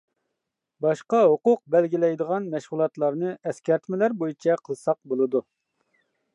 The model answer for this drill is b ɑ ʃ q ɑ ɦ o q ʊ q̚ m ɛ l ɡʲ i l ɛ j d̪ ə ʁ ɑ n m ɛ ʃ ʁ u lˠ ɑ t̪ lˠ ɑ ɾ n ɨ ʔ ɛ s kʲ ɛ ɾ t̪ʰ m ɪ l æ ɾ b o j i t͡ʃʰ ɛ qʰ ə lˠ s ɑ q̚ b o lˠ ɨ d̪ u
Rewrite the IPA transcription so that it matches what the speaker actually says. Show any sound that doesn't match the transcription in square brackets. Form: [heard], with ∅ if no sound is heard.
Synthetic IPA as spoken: b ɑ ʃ q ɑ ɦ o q ʊ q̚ [b] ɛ l ɡʲ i l ɛ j d̪ ə ʁ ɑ n m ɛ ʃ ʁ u lˠ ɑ t̪ lˠ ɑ ɾ n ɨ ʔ ɛ s kʲ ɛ ɾ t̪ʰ m ɪ l æ ɾ b o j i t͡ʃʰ ɛ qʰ ə lˠ s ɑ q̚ b o lˠ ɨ d̪ u